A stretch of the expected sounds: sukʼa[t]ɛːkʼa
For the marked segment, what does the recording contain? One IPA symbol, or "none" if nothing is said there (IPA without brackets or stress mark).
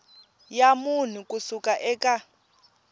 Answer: ʔ